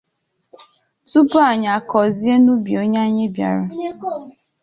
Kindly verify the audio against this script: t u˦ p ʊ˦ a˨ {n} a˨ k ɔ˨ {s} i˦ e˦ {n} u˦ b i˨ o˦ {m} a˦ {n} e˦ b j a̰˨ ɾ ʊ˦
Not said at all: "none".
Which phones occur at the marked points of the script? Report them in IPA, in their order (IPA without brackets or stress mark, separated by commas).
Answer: ɲ, z, n, ɲ, ɲ